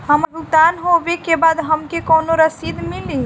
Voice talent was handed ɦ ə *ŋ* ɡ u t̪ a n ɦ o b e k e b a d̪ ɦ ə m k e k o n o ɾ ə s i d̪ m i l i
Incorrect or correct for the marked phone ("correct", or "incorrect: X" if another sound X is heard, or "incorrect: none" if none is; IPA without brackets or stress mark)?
incorrect: m